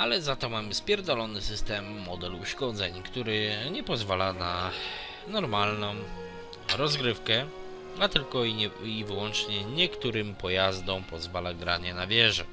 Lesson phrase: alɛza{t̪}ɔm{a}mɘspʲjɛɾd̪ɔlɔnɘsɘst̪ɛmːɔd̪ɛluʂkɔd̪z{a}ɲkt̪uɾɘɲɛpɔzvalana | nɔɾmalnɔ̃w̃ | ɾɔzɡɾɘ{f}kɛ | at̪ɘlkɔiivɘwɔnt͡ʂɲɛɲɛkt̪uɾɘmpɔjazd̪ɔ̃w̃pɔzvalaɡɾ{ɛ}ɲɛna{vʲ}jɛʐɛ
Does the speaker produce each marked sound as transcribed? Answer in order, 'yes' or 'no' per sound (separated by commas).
yes, yes, no, yes, no, yes